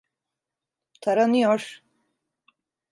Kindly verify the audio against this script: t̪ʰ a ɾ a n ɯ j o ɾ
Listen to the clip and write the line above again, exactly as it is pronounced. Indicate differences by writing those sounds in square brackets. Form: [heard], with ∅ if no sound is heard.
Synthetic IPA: t̪ʰ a ɾ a n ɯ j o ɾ